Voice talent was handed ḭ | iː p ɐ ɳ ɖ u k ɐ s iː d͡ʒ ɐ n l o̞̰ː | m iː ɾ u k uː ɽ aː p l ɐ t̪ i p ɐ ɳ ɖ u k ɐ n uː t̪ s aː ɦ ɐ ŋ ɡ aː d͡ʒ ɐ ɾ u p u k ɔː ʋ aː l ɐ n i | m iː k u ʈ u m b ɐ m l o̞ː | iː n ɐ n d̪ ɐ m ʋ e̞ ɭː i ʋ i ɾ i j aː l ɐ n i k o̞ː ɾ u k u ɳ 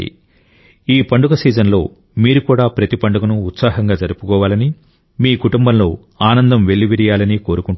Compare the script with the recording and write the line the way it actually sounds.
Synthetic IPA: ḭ | iː p ɐ ɳ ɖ u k ɐ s iː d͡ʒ ɐ n l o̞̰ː | m iː ɾ u k uː ɽ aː p ɾ ɐ t̪ i p ɐ ɳ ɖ u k ɐ n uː t̪ s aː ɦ ɐ ŋ ɡ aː d͡ʒ ɐ ɾ u p u k ɔː ʋ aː l ɐ n i | m iː k u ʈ u m b ɐ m l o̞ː | aː n ɐ n d̪ ɐ m ʋ e̞ ɭː i ʋ i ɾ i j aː l ɐ n i k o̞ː ɾ u k u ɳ